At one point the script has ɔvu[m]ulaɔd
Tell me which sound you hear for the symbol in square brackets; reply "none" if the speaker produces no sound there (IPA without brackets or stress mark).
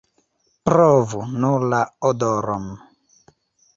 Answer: n